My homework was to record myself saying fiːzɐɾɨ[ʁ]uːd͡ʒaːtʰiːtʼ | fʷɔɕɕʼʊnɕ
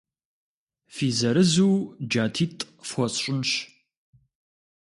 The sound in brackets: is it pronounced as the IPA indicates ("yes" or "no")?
no